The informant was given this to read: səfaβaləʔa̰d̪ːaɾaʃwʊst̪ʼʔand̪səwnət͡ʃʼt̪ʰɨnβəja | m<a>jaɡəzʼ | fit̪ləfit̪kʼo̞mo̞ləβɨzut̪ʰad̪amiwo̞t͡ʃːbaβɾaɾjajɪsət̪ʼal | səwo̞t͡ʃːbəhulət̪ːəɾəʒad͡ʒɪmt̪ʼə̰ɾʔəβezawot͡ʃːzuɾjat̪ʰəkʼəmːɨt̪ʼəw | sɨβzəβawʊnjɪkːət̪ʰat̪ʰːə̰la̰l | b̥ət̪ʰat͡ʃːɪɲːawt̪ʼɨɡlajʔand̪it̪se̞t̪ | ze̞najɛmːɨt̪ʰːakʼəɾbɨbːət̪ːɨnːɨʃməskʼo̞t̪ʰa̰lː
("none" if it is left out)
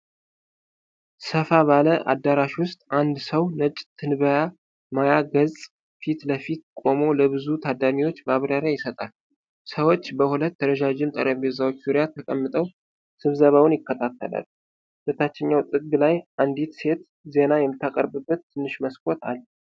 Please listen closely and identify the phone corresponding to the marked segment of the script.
a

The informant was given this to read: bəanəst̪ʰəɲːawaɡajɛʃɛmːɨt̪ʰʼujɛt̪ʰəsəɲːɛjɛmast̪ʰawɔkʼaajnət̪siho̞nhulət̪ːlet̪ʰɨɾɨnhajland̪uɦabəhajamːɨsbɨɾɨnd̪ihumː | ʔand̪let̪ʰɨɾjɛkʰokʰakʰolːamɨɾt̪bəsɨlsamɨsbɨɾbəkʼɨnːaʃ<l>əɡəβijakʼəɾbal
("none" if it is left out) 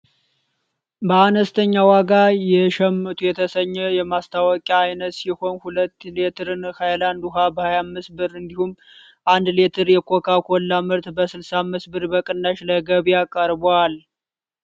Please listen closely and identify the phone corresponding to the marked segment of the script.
l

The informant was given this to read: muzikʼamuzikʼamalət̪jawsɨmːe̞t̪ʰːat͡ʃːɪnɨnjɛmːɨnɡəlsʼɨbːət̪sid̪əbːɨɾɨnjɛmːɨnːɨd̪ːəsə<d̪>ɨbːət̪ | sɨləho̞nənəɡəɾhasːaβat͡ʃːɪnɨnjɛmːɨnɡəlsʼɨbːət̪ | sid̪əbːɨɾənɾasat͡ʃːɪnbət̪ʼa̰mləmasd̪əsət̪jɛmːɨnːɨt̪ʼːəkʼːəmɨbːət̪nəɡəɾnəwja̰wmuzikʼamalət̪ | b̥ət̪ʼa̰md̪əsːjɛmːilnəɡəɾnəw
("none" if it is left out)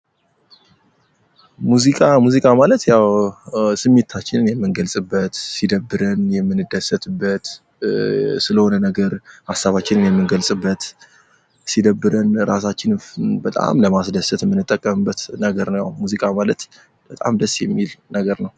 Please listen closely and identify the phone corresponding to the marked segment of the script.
t̪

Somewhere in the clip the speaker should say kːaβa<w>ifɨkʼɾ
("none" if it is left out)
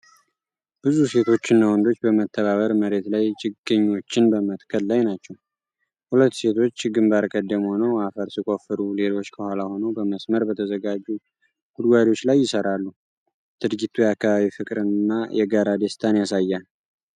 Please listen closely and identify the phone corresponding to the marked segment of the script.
β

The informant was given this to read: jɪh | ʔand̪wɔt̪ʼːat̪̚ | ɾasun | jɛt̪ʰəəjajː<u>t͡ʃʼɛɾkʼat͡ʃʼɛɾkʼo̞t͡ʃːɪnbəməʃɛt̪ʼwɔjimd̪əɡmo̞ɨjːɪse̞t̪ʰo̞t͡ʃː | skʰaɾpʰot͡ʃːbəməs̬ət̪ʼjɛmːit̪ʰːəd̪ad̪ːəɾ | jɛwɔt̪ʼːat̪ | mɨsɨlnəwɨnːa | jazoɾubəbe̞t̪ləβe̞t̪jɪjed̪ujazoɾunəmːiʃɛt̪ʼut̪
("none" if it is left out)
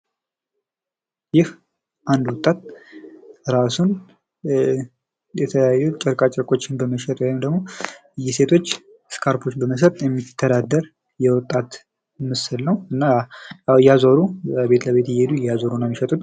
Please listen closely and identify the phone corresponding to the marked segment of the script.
u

